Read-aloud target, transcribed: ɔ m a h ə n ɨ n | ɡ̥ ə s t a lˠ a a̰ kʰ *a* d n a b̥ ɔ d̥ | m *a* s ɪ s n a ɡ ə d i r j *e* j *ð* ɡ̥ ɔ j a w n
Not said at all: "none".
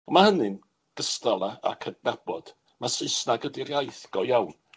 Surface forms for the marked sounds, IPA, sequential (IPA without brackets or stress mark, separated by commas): ə, a, a, θ